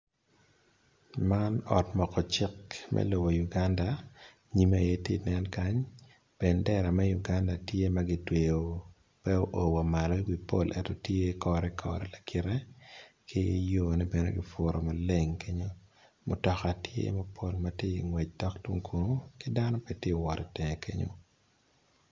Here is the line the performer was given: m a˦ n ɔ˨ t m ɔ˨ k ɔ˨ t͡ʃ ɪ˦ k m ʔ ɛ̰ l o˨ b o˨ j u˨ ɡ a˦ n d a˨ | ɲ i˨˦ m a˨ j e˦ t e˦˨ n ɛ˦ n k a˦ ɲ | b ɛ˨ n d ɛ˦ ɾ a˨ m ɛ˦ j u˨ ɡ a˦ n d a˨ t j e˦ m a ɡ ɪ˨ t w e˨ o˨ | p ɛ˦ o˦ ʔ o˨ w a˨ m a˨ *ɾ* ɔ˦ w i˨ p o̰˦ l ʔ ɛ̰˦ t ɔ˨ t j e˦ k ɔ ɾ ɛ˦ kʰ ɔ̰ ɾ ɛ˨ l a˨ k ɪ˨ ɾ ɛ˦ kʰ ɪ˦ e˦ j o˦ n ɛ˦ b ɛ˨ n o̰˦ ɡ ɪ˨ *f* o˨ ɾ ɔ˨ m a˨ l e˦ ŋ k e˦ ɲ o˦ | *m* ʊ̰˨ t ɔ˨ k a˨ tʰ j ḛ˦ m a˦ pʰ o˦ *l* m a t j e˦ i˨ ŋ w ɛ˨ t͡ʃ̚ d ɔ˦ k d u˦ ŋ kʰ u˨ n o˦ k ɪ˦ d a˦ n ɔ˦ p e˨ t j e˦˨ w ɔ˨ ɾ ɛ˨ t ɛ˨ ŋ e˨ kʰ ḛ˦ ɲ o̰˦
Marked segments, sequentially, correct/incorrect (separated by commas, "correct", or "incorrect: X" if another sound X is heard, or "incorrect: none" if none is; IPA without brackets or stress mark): incorrect: l, correct, correct, correct